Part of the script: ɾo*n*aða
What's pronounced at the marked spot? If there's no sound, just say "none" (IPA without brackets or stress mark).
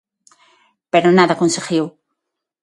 n